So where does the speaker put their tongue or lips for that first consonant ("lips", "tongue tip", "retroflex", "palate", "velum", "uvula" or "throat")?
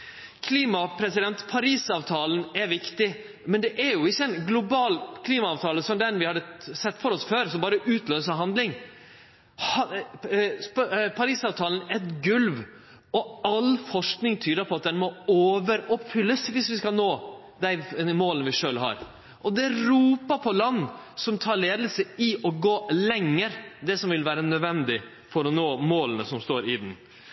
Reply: velum